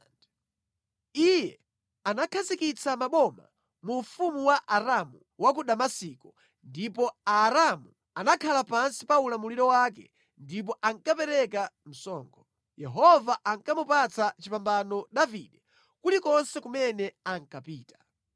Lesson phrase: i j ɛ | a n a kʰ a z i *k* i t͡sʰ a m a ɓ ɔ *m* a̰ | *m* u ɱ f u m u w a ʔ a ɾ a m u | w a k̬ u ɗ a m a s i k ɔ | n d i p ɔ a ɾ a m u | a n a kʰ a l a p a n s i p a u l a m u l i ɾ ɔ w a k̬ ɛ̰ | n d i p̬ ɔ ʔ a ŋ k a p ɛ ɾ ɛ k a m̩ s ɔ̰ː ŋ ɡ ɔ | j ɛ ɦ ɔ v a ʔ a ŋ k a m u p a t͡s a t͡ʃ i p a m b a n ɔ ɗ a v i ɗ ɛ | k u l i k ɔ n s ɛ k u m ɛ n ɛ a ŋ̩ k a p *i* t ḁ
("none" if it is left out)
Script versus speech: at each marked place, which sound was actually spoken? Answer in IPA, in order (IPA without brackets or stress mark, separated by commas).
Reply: k, m, m, iː